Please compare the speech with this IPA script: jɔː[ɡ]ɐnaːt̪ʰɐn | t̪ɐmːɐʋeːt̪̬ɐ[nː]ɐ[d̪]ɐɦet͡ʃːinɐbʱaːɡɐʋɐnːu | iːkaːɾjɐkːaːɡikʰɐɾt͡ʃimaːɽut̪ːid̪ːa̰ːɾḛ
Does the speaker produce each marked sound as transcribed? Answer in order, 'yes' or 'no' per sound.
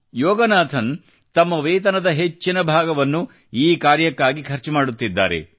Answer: yes, no, yes

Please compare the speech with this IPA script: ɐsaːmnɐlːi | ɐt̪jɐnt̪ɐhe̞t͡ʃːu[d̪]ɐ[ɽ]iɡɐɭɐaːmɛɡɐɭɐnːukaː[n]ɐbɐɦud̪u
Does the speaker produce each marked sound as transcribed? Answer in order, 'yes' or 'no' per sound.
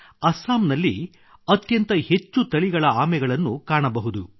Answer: no, no, no

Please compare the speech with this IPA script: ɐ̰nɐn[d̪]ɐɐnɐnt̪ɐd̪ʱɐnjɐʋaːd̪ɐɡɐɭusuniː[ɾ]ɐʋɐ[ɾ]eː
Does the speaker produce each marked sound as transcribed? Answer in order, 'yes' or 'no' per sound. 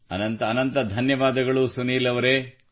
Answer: no, no, yes

